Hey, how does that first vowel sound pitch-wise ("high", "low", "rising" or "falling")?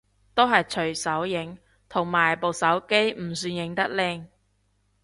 high